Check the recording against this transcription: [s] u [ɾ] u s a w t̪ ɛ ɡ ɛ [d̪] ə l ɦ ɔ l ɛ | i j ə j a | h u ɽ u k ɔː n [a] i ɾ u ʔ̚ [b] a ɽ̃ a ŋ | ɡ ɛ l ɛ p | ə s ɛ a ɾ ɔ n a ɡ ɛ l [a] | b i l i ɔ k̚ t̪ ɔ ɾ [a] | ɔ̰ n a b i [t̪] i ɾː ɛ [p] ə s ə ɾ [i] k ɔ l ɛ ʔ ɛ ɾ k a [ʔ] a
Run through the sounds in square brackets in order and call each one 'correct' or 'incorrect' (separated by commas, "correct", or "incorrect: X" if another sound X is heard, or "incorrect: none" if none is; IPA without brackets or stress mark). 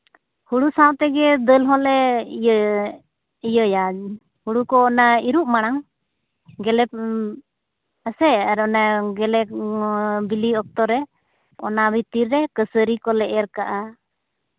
incorrect: h, incorrect: ɽ, correct, correct, incorrect: m, incorrect: ɛ, incorrect: ɛ, correct, incorrect: k, correct, correct